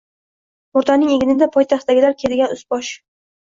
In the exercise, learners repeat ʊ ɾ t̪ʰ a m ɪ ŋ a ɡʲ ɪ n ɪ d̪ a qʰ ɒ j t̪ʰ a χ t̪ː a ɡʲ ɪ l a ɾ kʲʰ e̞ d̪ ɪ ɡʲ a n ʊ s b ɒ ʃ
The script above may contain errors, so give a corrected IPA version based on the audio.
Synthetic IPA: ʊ ɾ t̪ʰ a n ɪ ŋ e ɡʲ ɪ n ɪ d̪ a pʰ ɒ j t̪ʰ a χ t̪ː a ɡʲ ɪ l a ɾ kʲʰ e̞ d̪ ɪ ɡʲ a n ʊ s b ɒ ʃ